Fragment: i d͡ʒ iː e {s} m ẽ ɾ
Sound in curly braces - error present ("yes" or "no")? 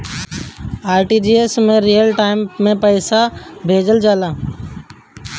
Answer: no